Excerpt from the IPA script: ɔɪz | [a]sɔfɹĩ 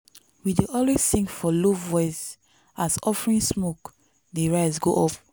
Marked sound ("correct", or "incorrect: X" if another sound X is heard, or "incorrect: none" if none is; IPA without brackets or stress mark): correct